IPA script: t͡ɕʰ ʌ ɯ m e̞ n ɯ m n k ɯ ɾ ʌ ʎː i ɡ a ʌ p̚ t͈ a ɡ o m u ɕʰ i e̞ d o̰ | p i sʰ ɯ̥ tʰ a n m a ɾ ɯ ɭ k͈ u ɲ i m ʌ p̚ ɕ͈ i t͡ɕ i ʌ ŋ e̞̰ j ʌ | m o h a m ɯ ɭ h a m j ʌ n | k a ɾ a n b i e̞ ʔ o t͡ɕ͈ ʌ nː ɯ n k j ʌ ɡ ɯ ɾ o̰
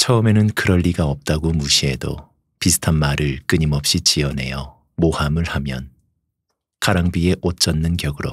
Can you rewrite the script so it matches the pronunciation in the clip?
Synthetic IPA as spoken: t͡ɕʰ ʌ ɯ m e̞ n ɯ n k ɯ ɾ ʌ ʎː i ɡ a ʌ p̚ t͈ a ɡ o m u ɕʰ i e̞ d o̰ | p i sʰ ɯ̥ tʰ a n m a ɾ ɯ ɭ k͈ ɯ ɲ i m ʌ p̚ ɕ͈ i t͡ɕ i ʌ n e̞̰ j ʌ | m o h a m ɯ ɭ h a m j ʌ n | k a ɾ a ŋ b i e̞ ʔ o t͡ɕ͈ ʌ nː ɯ n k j ʌ ɡ ɯ ɾ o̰

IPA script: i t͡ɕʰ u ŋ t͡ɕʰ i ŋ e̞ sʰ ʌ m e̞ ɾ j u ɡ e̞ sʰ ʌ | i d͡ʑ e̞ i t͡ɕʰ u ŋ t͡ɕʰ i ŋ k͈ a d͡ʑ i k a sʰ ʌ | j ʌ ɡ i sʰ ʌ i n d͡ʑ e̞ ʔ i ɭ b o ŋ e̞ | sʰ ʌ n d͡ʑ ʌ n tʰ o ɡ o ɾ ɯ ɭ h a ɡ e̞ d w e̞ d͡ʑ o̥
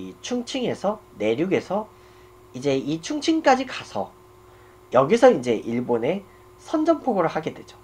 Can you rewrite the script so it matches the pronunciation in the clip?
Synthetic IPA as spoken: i t͡ɕʰ u ŋ t͡ɕʰ i ŋ e̞ sʰ ʌ n e̞ ɾ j u ɡ e̞ sʰ ʌ | i d͡ʑ e̞ i t͡ɕʰ u ŋ t͡ɕʰ i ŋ k͈ a d͡ʑ i k a sʰ ʌ | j ʌ ɡ i sʰ ʌ i n d͡ʑ e̞ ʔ i ɭ b o n e̞ | sʰ ʌ n d͡ʑ ʌ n pʰ o ɡ o ɾ ɯ ɭ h a ɡ e̞ d w e̞ d͡ʑ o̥

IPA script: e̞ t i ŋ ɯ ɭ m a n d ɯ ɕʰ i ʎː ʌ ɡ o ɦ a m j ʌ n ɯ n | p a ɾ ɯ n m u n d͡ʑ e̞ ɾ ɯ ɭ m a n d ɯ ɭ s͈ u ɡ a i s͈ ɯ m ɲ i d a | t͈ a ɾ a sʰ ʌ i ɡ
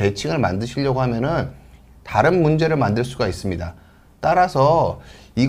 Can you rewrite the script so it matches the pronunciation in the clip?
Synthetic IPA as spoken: e̞ t͡ɕʰ i ŋ ɯ ɭ m a n d ɯ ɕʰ i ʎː ʌ ɡ o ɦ a m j ʌ n ɯ n | t a ɾ ɯ n m u n d͡ʑ e̞ ɾ ɯ ɭ m a n d ɯ ɭ s͈ u ɡ a i s͈ ɯ m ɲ i d a | t͈ a ɾ a sʰ ʌ i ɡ

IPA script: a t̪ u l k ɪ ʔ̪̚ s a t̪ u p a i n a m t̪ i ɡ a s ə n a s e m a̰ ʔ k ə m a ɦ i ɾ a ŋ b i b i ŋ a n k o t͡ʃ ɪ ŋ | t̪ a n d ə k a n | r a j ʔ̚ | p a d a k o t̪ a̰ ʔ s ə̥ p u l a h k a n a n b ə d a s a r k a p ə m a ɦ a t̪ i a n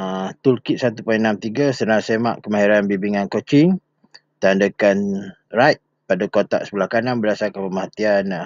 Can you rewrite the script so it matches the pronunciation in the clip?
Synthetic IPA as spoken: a t̪ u l k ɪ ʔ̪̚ s a t̪ u p a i n a m t̪ i ɡ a s ə n a s e m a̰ ʔ k ə m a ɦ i ɾ a n b i b i ŋ a n k o t͡ʃ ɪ ŋ | t̪ a n d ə k a n | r a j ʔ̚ | p a d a k o t̪ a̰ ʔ s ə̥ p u l a h k a n a n b ə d a s a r k a p ə m a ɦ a t̪ i a n

